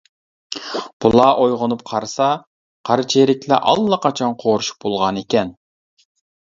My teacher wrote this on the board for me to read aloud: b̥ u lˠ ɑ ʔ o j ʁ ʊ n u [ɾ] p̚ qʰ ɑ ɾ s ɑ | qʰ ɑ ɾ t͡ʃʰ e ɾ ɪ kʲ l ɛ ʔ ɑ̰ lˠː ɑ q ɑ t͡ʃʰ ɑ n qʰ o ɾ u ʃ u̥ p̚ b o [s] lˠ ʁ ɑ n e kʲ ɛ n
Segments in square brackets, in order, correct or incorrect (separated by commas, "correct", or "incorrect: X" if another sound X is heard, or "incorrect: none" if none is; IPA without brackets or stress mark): incorrect: none, incorrect: none